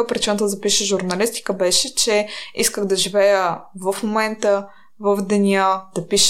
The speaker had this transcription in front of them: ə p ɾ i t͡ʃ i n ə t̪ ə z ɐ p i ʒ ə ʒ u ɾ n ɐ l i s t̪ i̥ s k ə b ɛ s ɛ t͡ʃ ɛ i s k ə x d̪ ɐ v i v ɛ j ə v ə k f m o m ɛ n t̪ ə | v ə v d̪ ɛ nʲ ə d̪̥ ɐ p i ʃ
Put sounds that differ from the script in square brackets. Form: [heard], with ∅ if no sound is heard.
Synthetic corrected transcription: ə p ɾ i t͡ʃ i n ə t̪ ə z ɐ p i [ʃ] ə ʒ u ɾ n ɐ l i s t̪ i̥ [∅] k ə b ɛ [ʃ] ɛ t͡ʃ ɛ i s k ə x d̪ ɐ [ʒ] i v ɛ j ə v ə [∅] f m o m ɛ n t̪ ə | v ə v d̪ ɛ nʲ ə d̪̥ ɐ p i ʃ